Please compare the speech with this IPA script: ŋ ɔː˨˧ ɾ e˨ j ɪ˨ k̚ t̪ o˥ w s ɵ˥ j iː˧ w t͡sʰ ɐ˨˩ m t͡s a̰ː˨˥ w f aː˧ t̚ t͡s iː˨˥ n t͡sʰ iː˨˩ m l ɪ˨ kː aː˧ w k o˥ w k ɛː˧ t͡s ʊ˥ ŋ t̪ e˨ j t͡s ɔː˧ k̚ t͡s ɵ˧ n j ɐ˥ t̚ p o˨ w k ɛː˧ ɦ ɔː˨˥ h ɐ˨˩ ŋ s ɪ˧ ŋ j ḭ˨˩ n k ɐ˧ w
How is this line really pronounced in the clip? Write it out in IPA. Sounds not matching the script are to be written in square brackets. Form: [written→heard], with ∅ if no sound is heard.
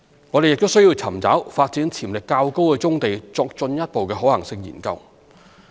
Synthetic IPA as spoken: ŋ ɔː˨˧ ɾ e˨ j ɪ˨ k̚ t̪ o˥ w s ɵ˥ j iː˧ w t͡sʰ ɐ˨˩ m t͡s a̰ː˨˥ w f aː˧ t̚ t͡s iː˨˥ n t͡sʰ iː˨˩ m l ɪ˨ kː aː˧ w k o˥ w k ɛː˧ t͡s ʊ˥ ŋ t̪ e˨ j t͡s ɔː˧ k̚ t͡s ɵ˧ n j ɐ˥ t̚ p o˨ w k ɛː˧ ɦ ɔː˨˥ h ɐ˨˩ ŋ s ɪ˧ ŋ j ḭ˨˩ n k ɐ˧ w